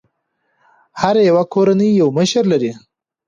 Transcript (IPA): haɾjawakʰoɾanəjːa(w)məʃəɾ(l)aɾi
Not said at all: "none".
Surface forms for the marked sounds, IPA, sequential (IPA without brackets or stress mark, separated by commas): w, l